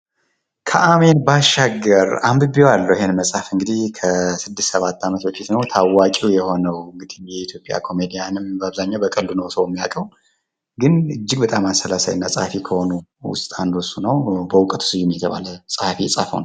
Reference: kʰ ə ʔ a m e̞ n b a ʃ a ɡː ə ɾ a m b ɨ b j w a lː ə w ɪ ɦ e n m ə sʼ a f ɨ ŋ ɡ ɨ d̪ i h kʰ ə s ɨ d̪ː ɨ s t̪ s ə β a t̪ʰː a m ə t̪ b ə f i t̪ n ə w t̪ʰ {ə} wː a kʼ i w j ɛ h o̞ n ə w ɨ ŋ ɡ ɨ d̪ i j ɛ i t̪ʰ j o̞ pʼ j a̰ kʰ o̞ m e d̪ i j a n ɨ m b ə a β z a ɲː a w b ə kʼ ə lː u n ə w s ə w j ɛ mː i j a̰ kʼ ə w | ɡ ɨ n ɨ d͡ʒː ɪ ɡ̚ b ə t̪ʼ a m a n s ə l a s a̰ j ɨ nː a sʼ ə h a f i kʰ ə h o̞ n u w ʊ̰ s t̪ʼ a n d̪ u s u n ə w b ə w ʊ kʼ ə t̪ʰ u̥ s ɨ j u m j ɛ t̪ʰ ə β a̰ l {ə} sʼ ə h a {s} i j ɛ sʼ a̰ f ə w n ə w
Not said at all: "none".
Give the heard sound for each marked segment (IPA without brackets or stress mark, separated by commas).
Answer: a, ə, f